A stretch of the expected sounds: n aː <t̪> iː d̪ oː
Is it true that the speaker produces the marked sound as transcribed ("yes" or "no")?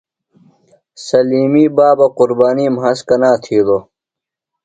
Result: no